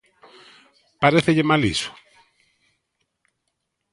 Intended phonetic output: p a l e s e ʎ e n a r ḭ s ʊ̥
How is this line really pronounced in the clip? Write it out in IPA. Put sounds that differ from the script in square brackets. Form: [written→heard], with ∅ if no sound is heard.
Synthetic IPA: p a [l→ɾ] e [s→θ] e ʎ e [n→m] a [r→l] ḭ s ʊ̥